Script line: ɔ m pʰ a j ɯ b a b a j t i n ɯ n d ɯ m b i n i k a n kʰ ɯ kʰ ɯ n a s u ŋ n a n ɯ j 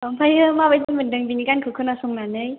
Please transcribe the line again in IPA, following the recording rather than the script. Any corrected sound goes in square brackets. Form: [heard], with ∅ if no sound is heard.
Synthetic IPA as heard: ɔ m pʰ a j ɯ [m] a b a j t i [m] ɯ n d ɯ [ŋ] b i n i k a n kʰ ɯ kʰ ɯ n a s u ŋ n a n ɯ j